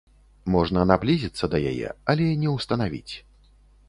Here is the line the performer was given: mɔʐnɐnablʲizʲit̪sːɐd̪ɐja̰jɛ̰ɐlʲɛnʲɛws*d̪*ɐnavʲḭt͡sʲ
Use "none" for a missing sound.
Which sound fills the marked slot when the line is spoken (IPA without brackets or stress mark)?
t̪